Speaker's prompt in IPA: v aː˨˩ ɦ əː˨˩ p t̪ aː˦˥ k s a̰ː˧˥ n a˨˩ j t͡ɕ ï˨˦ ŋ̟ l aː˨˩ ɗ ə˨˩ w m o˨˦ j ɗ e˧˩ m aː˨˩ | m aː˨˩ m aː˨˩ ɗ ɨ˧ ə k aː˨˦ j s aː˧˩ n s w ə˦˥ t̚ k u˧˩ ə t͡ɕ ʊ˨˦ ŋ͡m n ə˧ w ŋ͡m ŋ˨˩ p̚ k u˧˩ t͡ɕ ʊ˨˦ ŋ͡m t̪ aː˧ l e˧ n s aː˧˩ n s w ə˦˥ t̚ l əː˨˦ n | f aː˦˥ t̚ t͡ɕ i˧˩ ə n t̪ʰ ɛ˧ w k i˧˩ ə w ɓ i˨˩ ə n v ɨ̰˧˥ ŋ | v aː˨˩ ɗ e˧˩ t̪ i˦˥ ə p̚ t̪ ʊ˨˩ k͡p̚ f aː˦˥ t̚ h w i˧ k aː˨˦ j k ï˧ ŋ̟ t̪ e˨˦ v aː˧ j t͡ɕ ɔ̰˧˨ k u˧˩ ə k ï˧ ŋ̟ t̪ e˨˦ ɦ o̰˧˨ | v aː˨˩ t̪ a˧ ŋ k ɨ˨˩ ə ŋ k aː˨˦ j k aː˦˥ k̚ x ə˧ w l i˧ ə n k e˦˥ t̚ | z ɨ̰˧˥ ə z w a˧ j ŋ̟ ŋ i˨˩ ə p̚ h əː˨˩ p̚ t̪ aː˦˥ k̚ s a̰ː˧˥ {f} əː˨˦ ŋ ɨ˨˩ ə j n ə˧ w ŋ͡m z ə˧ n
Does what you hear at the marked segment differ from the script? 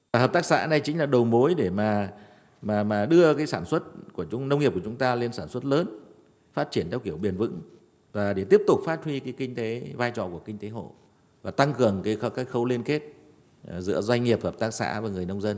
yes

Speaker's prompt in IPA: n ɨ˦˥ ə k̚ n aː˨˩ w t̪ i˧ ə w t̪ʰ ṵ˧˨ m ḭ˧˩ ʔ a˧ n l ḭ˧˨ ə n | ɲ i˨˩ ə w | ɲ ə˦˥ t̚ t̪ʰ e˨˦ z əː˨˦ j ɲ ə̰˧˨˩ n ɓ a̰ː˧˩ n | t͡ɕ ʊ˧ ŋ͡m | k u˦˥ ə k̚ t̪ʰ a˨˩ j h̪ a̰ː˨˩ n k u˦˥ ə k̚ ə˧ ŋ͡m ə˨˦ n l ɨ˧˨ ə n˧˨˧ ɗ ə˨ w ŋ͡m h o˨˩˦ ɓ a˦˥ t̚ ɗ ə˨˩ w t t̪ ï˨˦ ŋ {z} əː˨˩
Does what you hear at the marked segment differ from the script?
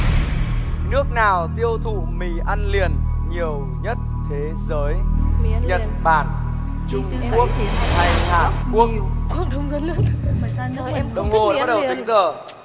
no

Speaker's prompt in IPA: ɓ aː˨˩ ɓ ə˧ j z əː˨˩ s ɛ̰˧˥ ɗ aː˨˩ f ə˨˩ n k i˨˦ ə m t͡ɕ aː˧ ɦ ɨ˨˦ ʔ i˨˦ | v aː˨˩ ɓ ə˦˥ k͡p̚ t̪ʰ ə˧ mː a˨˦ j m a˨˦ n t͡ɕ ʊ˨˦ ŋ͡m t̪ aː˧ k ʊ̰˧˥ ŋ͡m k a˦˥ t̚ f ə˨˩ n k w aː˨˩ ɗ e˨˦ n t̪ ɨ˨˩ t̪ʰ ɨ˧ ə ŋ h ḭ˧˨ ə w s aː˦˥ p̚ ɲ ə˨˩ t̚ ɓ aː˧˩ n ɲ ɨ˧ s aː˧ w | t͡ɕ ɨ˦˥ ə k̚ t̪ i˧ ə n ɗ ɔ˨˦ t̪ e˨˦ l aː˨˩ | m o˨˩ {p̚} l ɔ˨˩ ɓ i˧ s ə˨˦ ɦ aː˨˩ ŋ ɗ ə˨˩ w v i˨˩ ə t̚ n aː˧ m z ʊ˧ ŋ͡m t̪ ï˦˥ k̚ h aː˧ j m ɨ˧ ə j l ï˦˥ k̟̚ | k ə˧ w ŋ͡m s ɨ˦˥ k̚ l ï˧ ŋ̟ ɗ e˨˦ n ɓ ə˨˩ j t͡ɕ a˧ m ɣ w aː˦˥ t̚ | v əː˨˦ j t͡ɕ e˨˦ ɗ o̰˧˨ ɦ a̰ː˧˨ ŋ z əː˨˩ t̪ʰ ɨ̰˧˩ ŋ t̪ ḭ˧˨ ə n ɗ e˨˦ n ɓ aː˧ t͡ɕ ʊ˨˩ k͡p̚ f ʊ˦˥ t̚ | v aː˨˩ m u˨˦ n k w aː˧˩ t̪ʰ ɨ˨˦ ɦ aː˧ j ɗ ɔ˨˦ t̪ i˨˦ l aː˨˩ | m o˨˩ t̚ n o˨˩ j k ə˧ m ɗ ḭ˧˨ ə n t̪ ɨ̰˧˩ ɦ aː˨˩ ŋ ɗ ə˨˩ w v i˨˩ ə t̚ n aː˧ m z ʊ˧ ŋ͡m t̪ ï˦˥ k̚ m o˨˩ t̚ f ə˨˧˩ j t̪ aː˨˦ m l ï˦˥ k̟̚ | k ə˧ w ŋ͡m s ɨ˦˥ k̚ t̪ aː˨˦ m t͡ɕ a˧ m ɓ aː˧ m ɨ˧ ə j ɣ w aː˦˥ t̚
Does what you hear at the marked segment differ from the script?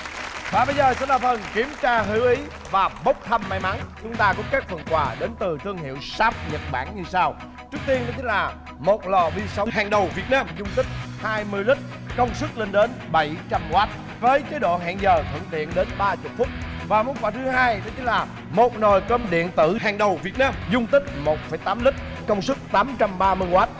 yes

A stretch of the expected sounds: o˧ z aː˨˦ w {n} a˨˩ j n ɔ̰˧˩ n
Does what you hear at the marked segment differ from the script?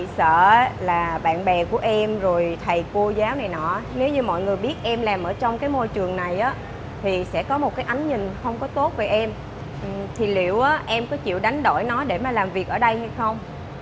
no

